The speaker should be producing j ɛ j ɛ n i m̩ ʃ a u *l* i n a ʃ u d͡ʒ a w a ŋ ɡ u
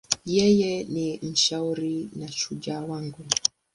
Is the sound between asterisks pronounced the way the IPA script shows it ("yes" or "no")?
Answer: no